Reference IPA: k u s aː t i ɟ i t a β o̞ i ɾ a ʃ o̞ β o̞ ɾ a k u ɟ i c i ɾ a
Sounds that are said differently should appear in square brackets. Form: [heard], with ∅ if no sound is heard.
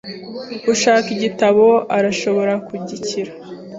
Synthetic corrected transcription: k u [ʃ] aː [k] i ɟ i t a β o̞ [a] ɾ a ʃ o̞ β o̞ ɾ a k u ɟ i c i ɾ a